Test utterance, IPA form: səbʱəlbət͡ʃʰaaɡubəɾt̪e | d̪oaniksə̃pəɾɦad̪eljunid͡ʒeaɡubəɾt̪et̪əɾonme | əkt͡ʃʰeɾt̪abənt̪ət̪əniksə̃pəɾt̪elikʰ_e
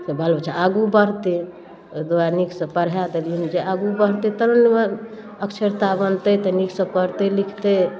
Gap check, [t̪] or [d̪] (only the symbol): t̪